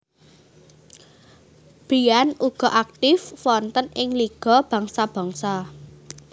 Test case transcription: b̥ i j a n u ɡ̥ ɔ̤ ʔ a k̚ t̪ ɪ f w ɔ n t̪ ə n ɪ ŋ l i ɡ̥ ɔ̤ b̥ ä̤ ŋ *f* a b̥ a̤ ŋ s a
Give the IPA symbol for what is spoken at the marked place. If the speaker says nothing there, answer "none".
s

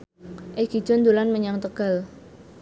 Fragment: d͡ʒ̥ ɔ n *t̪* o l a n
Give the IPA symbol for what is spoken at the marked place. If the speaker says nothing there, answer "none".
d̪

